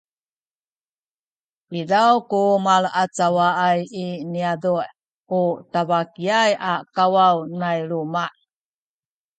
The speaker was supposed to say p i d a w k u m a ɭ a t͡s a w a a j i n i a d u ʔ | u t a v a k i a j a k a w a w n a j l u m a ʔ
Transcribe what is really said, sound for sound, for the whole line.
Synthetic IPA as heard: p i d a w k u m a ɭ a t͡s a w a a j i n i a d u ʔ | u t a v a k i a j a k a w a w n a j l u m a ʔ